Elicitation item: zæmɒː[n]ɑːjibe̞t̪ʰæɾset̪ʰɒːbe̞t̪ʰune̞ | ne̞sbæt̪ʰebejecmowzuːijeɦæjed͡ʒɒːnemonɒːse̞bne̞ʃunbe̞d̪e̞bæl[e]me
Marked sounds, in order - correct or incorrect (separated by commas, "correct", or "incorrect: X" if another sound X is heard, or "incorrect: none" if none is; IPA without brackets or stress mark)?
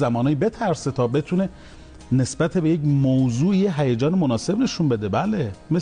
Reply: correct, correct